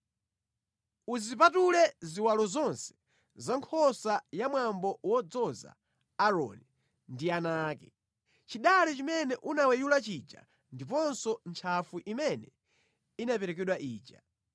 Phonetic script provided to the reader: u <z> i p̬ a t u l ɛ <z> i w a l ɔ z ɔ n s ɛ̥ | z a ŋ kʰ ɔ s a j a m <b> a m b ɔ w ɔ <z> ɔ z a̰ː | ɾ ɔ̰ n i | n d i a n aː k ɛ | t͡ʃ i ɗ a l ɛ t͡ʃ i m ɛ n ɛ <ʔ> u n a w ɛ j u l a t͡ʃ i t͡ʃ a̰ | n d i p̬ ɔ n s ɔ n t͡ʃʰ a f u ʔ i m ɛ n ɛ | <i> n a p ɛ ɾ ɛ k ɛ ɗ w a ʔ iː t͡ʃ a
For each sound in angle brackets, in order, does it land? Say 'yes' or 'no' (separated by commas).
yes, yes, no, no, yes, yes